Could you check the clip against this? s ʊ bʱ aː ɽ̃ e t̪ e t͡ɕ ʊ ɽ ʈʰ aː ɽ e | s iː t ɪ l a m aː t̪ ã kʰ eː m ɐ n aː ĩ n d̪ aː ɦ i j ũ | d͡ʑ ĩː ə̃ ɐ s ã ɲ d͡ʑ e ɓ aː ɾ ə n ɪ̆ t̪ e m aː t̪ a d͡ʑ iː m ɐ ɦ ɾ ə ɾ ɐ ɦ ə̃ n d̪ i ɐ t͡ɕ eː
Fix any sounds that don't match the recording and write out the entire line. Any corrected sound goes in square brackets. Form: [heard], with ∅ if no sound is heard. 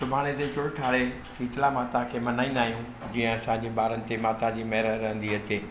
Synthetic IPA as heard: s ʊ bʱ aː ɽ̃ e t̪ e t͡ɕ ʊ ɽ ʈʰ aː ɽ e | s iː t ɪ l a m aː t̪ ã kʰ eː m ɐ n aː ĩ n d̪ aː ɦ i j ũ | d͡ʑ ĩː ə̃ ɐ s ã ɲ d͡ʑ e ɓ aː ɾ ə n ɪ̆ t̪ e m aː t̪ a d͡ʑ iː m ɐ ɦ ɾ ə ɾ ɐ ɦ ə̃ n d̪ i ɐ t͡ɕ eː